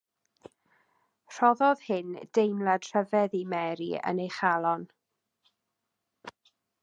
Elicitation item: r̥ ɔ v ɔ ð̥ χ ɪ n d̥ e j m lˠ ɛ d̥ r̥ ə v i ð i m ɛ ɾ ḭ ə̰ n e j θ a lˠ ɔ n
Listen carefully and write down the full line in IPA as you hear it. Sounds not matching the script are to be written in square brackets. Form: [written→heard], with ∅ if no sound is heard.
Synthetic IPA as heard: r̥ ɔ [v→ð] ɔ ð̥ [χ→h] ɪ n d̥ e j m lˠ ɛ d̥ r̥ ə v [i→ɛ] ð i m ɛ ɾ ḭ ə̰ n e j [θ→χ] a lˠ ɔ n